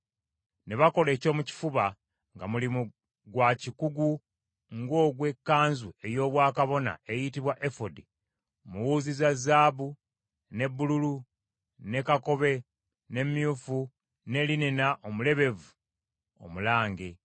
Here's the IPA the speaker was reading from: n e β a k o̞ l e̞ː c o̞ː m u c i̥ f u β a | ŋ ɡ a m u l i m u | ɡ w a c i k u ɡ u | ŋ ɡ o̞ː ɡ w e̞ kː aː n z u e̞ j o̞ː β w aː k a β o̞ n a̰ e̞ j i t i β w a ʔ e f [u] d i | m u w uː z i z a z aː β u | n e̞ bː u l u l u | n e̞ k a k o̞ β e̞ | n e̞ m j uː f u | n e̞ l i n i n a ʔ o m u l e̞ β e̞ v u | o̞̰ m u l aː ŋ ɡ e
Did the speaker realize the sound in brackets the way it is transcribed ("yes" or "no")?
no